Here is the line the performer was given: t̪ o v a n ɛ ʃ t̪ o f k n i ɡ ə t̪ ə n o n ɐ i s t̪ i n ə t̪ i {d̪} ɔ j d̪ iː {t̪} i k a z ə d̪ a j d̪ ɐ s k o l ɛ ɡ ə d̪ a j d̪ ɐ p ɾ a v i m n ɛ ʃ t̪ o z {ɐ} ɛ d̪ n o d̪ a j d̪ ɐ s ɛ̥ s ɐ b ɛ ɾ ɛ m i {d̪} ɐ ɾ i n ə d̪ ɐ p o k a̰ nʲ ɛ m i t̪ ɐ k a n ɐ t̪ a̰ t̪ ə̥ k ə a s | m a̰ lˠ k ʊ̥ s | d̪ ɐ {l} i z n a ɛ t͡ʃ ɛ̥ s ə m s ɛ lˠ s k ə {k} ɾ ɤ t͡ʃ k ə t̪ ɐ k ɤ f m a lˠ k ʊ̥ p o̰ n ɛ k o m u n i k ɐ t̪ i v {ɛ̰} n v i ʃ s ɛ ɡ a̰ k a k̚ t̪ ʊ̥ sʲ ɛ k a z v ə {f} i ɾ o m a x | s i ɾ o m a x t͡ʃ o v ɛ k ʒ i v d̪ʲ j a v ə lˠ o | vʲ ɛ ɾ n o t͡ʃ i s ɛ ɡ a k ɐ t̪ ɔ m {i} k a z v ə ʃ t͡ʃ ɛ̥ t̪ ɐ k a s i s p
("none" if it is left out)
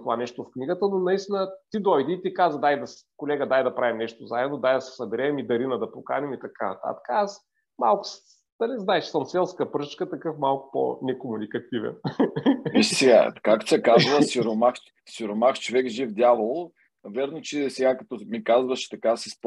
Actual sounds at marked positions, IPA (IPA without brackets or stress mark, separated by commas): d̪, t̪, a, d̪, l, p, ɛ̰, s, i